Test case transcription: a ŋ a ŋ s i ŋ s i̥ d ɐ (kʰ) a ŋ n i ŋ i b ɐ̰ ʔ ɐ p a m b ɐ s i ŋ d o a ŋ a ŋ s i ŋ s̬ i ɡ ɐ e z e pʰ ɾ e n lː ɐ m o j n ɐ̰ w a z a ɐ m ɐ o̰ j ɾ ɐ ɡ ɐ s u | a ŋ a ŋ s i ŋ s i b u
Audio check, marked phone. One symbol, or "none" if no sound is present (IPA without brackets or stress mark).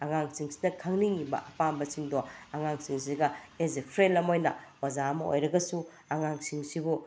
kʰ